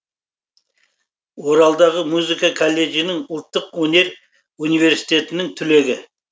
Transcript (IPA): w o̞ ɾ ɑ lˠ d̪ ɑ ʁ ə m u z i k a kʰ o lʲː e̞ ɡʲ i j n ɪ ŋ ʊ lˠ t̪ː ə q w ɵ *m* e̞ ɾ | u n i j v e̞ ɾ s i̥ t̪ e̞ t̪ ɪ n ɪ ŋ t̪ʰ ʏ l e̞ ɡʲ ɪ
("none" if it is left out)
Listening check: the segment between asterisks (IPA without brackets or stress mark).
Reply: n